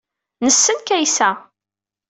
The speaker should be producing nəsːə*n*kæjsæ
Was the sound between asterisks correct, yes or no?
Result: yes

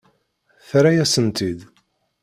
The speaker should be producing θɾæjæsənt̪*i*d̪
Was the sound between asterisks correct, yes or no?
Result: yes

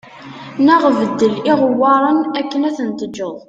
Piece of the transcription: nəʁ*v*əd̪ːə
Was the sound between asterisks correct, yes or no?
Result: yes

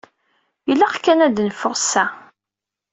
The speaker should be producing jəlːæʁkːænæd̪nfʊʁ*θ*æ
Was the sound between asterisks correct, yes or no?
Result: no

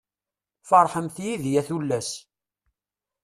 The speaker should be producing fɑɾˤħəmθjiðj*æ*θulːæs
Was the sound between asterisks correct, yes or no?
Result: yes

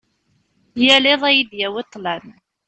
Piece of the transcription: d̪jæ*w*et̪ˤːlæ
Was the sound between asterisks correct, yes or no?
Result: yes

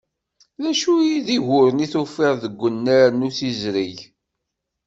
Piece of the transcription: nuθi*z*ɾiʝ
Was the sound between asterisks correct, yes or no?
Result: yes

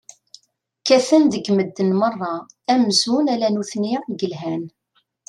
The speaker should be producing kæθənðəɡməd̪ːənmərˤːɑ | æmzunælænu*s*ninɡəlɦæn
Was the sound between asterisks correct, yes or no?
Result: no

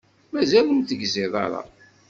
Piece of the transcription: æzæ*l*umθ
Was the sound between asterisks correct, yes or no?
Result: yes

